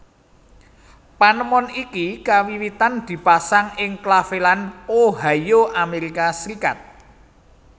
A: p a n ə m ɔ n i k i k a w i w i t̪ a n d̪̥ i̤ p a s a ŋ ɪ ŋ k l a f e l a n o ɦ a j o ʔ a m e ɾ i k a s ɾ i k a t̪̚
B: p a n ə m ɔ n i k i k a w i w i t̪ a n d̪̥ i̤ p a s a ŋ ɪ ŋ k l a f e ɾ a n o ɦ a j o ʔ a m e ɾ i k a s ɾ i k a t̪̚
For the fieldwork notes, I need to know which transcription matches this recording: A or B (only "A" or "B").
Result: A